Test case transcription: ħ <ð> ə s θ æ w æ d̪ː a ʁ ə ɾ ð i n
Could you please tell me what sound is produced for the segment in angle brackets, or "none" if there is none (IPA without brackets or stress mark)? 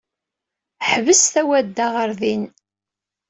v